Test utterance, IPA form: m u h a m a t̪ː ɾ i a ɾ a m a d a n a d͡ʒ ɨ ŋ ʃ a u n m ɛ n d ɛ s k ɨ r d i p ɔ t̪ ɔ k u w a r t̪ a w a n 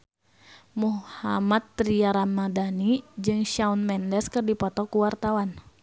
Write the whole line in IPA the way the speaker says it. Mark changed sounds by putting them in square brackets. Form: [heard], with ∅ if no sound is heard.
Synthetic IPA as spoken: m u h a m a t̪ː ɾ i a ɾ a m a d a n [i] d͡ʒ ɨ ŋ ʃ a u n m ɛ n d ɛ s k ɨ r d i p ɔ t̪ ɔ k u w a r t̪ a w a n